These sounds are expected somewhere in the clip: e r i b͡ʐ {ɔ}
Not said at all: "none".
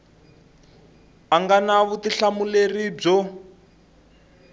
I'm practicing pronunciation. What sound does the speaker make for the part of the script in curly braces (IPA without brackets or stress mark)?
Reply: ɔ